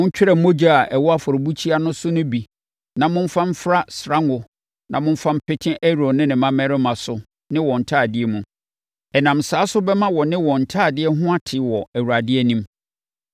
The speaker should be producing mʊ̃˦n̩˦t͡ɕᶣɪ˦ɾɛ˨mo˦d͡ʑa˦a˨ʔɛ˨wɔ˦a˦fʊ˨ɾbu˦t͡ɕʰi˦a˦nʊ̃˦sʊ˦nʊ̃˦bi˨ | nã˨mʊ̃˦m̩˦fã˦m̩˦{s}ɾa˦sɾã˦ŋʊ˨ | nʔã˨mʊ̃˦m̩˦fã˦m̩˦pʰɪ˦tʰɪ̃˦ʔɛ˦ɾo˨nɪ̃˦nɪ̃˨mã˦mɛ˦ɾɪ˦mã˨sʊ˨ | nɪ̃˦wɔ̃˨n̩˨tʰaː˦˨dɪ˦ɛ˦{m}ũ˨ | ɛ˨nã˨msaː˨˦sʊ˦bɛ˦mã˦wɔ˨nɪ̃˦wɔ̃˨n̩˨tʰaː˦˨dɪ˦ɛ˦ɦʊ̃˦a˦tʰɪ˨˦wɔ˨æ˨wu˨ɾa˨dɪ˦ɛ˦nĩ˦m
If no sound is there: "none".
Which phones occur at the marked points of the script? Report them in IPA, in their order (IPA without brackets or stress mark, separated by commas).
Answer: f, m